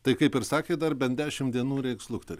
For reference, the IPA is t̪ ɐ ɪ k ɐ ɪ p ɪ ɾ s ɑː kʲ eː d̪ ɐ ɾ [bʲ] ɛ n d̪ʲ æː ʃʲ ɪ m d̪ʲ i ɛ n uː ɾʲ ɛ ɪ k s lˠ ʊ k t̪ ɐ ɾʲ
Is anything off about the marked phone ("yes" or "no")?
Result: no